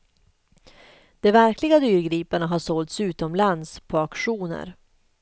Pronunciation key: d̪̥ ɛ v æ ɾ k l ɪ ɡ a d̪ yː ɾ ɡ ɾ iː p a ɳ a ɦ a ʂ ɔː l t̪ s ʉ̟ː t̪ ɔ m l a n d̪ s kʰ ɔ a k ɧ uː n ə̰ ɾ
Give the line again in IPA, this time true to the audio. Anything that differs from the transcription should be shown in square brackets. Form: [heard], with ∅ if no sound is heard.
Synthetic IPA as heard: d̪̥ ɛ v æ ɾ k l ɪ ɡ a d̪ yː ɾ ɡ ɾ iː p a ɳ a ɦ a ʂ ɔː l t̪ s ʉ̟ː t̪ ɔ m l a n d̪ s [pʰ] ɔ a k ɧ uː n ə̰ ɾ

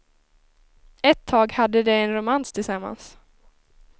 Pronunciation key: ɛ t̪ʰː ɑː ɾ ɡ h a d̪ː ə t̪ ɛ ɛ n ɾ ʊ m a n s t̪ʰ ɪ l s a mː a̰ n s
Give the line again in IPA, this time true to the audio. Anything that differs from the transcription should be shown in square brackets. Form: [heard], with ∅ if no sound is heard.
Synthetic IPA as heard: ɛ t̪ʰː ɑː [∅] ɡ h a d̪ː ə [d̪] ɛ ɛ n ɾ ʊ m a n s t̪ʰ ɪ l s a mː a̰ n s

